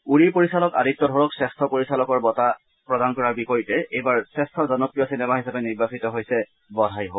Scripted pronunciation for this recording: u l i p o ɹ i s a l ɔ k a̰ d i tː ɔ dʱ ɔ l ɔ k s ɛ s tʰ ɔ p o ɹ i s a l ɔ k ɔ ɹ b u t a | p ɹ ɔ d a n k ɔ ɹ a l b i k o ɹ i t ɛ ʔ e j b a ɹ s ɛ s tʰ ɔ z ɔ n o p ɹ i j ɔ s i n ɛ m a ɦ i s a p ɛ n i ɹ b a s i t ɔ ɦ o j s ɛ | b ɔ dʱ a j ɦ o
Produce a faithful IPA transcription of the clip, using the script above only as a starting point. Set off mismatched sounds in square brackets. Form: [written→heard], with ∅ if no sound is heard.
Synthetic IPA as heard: u [l→ɹ] i p o ɹ i s a l ɔ k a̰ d i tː ɔ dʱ ɔ [l→ɹ] ɔ k s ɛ s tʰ ɔ p o ɹ i s a l ɔ k ɔ ɹ b [u→ɔ] t a | p ɹ ɔ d a n k ɔ ɹ a [l→ɹ] b i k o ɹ i t ɛ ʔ e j b a ɹ s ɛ s tʰ ɔ z ɔ n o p ɹ i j ɔ s i n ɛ m a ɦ i s a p ɛ n i ɹ b a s i t ɔ ɦ o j s ɛ | b ɔ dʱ a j ɦ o